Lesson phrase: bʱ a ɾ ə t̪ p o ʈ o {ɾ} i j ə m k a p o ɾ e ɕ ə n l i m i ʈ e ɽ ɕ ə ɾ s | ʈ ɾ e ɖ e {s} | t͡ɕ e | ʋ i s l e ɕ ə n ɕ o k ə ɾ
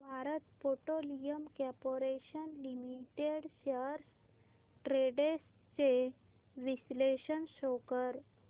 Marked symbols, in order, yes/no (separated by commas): no, yes